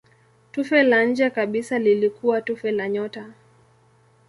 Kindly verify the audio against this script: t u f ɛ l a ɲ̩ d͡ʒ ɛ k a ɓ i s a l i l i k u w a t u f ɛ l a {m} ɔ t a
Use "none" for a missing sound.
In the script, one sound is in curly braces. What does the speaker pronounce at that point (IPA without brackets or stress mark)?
ɲ